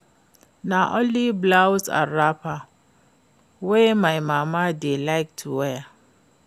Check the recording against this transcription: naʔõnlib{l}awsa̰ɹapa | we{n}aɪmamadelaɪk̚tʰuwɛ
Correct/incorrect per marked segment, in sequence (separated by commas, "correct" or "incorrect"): correct, incorrect